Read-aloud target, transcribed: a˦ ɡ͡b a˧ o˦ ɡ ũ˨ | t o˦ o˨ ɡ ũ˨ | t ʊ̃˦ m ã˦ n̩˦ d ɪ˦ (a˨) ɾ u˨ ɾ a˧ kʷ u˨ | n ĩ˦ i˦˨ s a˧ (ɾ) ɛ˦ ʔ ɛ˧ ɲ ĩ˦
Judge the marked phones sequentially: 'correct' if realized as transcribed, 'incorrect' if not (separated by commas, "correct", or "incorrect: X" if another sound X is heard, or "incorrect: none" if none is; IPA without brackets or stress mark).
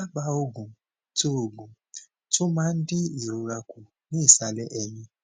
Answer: incorrect: i˨, incorrect: l